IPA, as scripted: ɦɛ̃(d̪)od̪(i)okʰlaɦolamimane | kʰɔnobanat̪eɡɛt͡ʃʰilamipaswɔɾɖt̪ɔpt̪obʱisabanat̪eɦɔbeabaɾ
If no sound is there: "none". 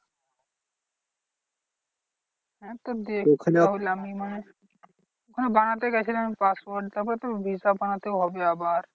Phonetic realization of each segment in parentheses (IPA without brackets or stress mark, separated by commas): t̪, e